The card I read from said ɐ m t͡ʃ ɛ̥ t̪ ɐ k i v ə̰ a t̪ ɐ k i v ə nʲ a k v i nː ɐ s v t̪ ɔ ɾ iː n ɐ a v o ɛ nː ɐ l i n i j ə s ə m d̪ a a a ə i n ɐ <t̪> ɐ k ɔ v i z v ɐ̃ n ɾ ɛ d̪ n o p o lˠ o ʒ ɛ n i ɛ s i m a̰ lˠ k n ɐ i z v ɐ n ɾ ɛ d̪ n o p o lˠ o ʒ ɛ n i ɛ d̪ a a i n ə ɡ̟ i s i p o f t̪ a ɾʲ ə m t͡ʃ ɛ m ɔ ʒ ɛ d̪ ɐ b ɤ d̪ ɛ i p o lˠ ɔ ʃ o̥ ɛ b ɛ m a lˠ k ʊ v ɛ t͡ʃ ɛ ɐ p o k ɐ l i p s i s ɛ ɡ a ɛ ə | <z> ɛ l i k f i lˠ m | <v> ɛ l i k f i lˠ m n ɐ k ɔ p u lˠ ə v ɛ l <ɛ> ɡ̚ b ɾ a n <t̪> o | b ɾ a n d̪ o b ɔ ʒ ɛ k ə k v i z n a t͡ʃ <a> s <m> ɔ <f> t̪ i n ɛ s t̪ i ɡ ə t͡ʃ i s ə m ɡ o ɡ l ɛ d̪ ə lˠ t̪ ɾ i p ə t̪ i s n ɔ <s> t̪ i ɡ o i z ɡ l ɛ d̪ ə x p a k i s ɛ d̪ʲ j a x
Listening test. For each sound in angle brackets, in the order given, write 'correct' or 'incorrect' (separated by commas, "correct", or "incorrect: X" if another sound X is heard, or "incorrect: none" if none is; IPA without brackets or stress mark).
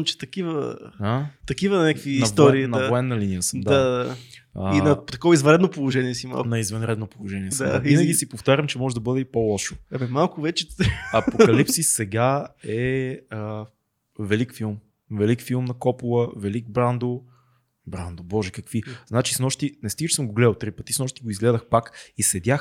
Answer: correct, incorrect: v, correct, incorrect: i, incorrect: d̪, incorrect: i, incorrect: n, incorrect: ʃ, incorrect: ʃ